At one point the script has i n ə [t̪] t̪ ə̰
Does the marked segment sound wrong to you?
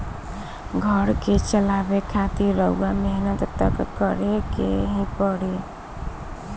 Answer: no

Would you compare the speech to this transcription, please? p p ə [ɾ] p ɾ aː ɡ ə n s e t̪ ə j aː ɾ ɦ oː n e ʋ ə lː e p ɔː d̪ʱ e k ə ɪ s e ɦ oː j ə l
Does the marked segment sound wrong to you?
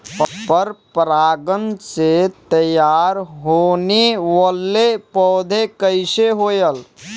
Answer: no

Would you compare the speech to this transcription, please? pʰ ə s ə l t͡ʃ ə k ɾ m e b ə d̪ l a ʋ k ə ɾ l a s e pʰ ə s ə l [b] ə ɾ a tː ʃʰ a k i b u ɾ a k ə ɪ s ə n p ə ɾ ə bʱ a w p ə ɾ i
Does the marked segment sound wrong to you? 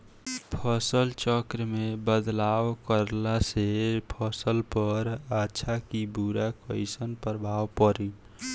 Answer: yes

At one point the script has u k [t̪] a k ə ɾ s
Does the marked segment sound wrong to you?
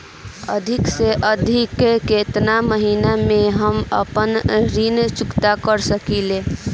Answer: no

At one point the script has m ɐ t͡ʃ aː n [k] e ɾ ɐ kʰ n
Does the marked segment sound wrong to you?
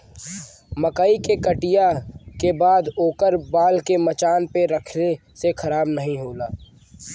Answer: yes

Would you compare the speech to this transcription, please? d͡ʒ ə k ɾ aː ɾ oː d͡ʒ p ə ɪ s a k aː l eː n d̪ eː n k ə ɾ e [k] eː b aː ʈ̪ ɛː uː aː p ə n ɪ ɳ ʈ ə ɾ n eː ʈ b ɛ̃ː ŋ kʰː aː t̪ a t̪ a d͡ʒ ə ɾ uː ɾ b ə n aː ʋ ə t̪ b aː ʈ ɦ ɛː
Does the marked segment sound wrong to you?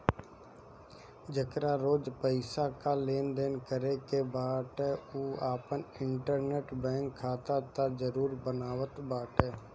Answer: no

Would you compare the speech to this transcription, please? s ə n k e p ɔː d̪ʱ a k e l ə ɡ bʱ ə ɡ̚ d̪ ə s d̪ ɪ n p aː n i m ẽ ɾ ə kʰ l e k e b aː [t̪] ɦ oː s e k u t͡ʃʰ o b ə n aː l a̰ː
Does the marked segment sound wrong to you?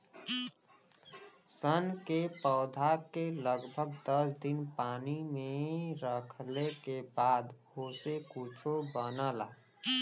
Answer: yes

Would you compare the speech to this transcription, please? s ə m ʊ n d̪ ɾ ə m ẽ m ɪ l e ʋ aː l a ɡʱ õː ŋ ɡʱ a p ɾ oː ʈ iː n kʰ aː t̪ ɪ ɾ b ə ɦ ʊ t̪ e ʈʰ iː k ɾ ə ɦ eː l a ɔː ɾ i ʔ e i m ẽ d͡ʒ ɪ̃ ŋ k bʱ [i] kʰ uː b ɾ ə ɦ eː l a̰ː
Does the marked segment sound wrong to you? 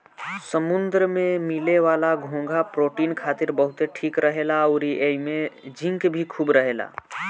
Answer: no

